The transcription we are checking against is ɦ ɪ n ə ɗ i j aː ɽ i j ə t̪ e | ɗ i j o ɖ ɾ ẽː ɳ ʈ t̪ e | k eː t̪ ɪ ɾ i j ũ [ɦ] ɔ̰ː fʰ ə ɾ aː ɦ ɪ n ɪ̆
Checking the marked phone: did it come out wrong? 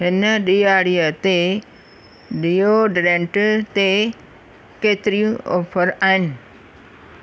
yes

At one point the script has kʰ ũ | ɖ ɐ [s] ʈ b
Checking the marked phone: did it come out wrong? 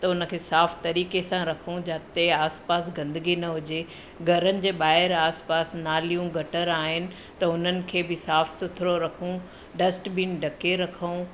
no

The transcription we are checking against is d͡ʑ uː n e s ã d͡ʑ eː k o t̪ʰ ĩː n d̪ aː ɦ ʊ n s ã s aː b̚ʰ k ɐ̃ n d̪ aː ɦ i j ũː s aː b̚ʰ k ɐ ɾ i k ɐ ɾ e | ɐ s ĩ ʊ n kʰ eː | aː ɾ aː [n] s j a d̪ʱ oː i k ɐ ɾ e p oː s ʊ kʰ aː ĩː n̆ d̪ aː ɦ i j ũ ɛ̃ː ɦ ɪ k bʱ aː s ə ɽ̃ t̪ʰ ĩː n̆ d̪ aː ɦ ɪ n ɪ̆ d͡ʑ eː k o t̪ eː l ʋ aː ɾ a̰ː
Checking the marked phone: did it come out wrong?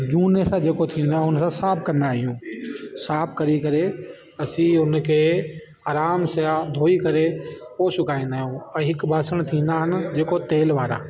yes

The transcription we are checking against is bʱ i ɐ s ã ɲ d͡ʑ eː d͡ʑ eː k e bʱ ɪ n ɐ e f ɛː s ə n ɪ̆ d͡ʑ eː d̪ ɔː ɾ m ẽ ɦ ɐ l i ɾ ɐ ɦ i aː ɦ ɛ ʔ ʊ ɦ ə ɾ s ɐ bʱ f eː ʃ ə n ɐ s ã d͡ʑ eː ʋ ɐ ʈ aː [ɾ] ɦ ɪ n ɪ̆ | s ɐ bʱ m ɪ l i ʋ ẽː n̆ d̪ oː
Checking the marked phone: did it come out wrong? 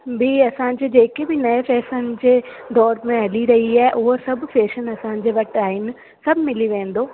yes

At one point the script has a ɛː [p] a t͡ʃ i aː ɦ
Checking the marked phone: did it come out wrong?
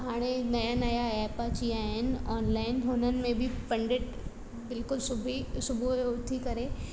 no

